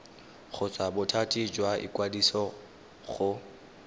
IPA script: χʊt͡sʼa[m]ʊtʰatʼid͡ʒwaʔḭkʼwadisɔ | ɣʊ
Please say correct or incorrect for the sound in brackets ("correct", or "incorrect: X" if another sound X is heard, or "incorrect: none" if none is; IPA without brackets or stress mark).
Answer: incorrect: b